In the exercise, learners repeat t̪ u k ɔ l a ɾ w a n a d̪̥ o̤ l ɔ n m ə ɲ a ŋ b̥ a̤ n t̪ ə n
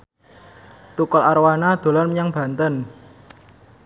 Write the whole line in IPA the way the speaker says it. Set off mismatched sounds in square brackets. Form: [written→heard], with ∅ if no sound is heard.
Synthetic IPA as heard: t̪ u k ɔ l a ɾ w a n a d̪̥ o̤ l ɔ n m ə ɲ a ŋ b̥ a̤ n t̪ ə n

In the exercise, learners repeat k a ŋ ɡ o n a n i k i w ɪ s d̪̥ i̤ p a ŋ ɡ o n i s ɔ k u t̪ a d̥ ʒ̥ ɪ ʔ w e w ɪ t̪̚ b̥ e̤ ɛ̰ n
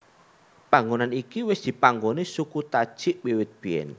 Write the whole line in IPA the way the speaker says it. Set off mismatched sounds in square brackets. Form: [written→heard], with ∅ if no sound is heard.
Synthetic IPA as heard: [k→p] a ŋ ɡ o n a n i k i w ɪ s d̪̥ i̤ p a ŋ ɡ o n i s [ɔ→u] k u t̪ a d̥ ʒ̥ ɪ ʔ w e w ɪ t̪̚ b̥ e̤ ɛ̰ n

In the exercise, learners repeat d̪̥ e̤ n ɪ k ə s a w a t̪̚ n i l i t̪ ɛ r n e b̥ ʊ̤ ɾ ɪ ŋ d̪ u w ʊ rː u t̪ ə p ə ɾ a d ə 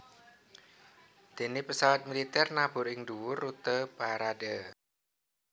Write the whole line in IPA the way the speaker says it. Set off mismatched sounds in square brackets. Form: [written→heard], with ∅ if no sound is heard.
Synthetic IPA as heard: d̪̥ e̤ n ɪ [k→p] ə s a w a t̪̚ [n→m] i l i t̪ ɛ r n [e→a] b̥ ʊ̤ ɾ ɪ ŋ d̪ u w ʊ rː u t̪ ə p [ə→a] ɾ a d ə

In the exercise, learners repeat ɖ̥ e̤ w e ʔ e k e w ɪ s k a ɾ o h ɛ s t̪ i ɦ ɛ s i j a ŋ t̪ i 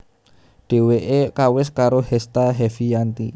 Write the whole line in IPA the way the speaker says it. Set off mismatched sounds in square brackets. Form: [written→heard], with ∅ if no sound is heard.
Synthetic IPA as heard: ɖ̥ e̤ w e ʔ e k [e→a] w ɪ s k a ɾ o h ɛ s t̪ [i→a] ɦ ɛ [s→f] i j a [ŋ→n] t̪ i

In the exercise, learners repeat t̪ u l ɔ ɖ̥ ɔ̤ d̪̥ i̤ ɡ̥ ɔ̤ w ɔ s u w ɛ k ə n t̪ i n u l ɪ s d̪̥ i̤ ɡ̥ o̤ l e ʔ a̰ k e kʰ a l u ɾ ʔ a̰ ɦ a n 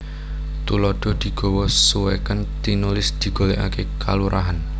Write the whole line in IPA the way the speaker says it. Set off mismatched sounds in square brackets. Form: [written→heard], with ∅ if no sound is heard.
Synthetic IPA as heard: t̪ u l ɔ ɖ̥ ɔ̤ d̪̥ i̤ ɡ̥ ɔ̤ w ɔ s u w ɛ k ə n t̪ i n u l ɪ s d̪̥ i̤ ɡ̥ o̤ l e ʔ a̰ k e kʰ a l u ɾ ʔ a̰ ɦ a n

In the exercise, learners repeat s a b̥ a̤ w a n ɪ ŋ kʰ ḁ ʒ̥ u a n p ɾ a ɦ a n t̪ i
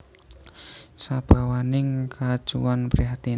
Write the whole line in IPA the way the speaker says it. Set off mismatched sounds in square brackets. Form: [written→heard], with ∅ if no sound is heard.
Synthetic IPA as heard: s a b̥ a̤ w a n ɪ ŋ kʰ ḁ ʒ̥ u a n p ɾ [a→i] ɦ a [n→∅] t̪ i

